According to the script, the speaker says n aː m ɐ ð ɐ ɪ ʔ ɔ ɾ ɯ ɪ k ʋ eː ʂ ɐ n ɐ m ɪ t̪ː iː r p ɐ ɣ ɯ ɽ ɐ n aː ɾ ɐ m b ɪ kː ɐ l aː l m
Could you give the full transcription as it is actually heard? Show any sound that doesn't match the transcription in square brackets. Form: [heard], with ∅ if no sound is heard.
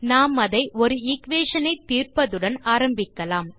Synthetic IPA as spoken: n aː m ɐ ð ɐ ɪ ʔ ɔ ɾ ɯ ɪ k ʋ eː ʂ ɐ n ɐ [∅] ɪ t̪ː iː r p ɐ [ð] ɯ ɽ ɐ n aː ɾ ɐ m b ɪ kː ɐ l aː [∅] m